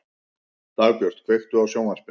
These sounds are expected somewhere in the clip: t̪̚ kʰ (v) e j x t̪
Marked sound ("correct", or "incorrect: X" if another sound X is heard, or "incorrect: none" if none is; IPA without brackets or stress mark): correct